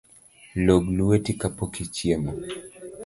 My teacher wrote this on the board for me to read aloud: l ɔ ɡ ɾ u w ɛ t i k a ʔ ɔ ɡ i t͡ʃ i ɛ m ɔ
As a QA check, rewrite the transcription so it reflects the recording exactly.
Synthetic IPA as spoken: l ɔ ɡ l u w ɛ t i k a p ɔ k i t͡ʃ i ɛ m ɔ

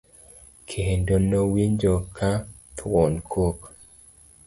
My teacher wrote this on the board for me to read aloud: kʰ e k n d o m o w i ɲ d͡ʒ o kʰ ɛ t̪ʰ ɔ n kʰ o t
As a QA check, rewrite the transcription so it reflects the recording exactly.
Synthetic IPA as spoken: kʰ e n d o n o w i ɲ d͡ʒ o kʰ a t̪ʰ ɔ n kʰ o k

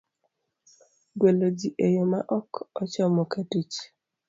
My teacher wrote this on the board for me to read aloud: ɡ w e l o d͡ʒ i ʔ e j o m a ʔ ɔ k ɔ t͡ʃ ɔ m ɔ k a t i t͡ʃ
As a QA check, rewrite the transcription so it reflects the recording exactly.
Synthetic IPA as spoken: ɡ w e l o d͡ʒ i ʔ e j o m a ʔ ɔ k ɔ t͡ʃ ɔ m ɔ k a t i t͡ʃ

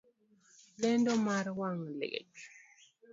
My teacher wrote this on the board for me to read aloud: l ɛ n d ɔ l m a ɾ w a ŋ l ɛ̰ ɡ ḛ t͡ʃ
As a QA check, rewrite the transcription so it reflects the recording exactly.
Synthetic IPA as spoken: l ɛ n d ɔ m a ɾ w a ŋ l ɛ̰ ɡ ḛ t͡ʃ

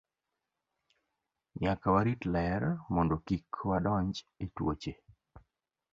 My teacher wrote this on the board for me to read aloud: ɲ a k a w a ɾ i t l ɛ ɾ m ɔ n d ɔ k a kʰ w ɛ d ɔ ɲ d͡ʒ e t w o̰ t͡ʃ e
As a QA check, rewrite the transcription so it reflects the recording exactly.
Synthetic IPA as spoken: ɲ a k a w a ɾ i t l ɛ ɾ m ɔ n d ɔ k i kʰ w a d ɔ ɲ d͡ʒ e t w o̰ t͡ʃ e

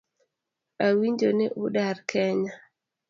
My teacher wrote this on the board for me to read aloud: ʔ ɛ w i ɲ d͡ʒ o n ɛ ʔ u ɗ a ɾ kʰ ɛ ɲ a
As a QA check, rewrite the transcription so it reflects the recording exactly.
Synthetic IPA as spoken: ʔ a w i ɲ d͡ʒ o n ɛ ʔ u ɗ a ɾ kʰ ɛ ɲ a

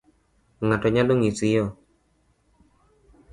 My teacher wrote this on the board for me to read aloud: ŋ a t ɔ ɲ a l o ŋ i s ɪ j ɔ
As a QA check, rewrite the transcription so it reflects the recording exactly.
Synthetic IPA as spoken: ŋ a t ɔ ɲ a l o ŋ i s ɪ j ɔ

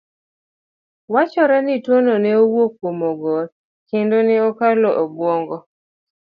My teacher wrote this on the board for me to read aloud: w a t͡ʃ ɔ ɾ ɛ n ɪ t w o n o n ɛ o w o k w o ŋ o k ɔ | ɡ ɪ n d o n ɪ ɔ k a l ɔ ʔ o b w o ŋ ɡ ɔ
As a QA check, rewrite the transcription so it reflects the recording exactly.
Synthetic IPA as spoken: w a t͡ʃ ɔ ɾ ɛ n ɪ t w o n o n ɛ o w o k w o m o ɡ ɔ | k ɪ n d o n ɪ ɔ k a l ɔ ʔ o b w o ŋ ɡ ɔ

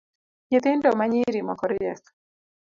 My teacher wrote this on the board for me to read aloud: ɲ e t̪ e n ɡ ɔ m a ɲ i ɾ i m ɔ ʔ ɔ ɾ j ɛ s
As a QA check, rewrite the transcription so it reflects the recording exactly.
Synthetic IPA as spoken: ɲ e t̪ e n d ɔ m a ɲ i ɾ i m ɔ k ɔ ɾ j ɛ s

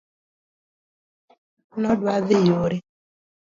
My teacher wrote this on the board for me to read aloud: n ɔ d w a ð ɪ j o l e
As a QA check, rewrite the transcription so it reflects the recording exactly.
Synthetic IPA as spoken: n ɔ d w a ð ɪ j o ɾ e

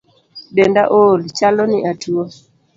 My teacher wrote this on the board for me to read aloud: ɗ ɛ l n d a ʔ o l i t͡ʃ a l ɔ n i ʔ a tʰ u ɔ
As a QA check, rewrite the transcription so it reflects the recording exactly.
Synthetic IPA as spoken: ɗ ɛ n d a ʔ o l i t͡ʃ a l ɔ n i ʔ a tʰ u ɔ

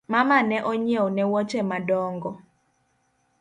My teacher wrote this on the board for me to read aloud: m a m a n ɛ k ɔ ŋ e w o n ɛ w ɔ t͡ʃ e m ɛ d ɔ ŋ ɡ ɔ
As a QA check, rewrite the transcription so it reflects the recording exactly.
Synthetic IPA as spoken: m a m a n ɛ ʔ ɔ ɲ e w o n ɛ w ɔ t͡ʃ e m a d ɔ ŋ ɡ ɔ

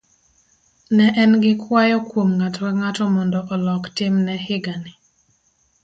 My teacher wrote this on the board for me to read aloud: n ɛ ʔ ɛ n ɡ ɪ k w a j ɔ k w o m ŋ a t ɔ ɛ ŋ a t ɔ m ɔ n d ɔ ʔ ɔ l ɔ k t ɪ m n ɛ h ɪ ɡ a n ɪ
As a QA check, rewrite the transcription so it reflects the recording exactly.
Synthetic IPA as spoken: n ɛ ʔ ɛ n ɡ ɪ k w a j ɔ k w o m ŋ a t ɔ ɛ ŋ a t ɔ m ɔ n d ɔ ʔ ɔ l ɔ k t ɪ m n ɛ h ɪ ɡ a n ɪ

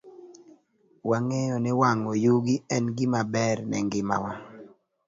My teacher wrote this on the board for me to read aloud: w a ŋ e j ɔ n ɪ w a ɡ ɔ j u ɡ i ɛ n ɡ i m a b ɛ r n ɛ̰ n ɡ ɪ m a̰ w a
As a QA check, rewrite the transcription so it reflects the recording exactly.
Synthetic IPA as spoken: w a ŋ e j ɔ n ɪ w a ŋ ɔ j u ɡ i ɛ n ɡ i m a b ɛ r n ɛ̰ ŋ ɡ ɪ m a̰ w a

